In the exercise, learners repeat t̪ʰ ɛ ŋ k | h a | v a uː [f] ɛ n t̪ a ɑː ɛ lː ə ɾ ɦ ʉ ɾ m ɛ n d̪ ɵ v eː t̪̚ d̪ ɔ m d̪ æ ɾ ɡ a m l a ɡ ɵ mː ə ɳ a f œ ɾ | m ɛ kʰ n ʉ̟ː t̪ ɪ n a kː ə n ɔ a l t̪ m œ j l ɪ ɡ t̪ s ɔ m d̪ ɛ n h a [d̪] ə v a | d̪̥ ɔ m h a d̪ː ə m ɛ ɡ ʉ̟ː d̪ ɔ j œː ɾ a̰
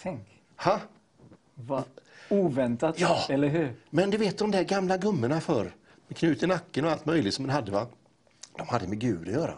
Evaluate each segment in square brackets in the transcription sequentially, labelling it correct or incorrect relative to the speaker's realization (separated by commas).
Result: incorrect, incorrect